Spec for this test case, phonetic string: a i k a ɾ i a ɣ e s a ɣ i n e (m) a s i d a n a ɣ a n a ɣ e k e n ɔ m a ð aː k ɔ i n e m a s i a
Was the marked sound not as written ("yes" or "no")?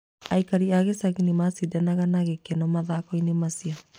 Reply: no